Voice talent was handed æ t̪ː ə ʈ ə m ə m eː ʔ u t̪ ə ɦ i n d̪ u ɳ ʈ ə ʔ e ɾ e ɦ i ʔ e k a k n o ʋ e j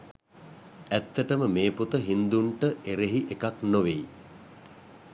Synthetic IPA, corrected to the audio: æ t̪ː ə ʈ ə m ə m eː p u t̪ ə ɦ i n d̪ u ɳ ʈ ə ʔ e ɾ e ɦ i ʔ e k a k n o ʋ e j